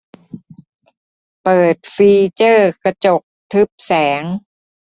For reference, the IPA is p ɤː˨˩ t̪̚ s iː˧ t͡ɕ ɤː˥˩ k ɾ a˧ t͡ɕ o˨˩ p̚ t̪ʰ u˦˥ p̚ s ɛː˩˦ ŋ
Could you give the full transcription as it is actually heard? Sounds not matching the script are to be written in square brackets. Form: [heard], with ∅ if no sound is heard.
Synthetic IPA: p ɤː˨˩ t̪̚ [f] iː˧ t͡ɕ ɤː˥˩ k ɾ a˧ t͡ɕ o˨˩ [k̚] t̪ʰ [ɯ˦˥] p̚ s ɛː˩˦ ŋ

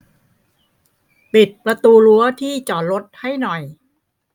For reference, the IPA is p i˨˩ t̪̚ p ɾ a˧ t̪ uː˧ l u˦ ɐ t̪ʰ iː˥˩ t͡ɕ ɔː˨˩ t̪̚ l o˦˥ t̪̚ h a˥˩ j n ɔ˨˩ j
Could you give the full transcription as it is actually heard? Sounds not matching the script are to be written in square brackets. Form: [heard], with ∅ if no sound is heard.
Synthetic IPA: p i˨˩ t̪̚ p ɾ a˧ t̪ uː˧ l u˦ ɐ t̪ʰ iː˥˩ t͡ɕ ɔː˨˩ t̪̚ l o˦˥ t̪̚ h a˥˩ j n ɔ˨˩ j

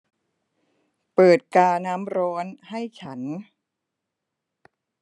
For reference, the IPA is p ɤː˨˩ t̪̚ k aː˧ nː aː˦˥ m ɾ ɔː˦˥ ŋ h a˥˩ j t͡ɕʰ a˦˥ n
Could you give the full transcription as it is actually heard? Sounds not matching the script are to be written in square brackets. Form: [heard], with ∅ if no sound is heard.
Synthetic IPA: p ɤː˨˩ t̪̚ k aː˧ [n] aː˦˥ m ɾ ɔː˦˥ [n] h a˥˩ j t͡ɕʰ a˦˥ n

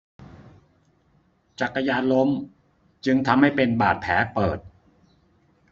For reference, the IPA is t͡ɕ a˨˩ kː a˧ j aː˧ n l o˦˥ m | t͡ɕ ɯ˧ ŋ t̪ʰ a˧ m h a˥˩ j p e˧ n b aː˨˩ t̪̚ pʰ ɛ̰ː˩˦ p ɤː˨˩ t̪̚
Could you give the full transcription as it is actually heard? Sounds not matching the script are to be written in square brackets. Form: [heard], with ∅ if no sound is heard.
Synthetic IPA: t͡ɕ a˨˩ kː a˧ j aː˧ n l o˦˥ m | t͡ɕ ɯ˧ ŋ t̪ʰ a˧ m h a˥˩ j p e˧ n b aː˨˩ t̪̚ pʰ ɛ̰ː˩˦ p ɤː˨˩ t̪̚

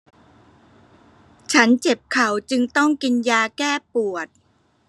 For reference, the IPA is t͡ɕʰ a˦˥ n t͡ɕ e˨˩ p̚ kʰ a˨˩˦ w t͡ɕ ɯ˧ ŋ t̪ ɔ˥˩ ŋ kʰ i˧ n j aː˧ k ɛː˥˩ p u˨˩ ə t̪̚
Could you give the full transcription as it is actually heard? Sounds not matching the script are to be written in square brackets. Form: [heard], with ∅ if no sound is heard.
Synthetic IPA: t͡ɕʰ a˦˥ n t͡ɕ e˨˩ p̚ kʰ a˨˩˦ w t͡ɕ ɯ˧ ŋ t̪ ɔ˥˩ ŋ [k] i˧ n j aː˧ k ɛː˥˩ p u˨˩ ə t̪̚

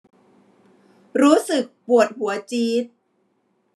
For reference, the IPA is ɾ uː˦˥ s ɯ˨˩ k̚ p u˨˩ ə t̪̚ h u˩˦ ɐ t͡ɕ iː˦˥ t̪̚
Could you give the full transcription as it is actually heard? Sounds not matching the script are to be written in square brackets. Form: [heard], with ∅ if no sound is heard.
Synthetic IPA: ɾ uː˦˥ s ɯ˨˩ k̚ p u˨˩ ə t̪̚ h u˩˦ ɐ t͡ɕ iː˦˥ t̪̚

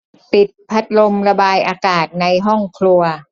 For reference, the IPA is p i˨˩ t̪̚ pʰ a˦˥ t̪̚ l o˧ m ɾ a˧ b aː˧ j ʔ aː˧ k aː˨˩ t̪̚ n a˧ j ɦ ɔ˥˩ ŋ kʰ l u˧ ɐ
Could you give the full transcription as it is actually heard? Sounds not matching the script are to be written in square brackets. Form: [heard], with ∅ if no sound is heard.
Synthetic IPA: p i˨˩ t̪̚ pʰ a˦˥ t̪̚ l o˧ m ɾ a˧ b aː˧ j ʔ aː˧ k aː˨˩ t̪̚ n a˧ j ɦ ɔ˥˩ ŋ kʰ l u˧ ɐ

